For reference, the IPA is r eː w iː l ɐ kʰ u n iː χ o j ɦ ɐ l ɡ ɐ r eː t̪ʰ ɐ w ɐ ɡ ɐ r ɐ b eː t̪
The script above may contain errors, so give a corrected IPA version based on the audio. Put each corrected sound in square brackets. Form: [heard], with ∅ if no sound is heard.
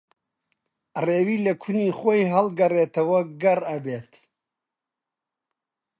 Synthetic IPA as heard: r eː w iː l ɐ kʰ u n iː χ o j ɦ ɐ l ɡ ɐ r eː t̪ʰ ɐ w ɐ ɡ ɐ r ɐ b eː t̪